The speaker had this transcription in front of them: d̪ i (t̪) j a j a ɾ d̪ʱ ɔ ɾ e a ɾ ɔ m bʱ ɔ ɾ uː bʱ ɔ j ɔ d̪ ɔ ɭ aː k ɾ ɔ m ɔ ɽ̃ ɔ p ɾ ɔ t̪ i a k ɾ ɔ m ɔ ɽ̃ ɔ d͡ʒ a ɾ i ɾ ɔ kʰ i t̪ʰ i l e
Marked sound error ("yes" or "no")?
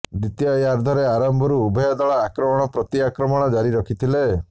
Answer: no